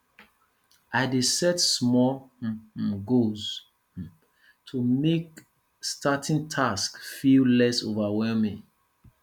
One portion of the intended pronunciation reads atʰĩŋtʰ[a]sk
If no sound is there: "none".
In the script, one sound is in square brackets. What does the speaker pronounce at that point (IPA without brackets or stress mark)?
a